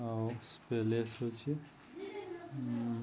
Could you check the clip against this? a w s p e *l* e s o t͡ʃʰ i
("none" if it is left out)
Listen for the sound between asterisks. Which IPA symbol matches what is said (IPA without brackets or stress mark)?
l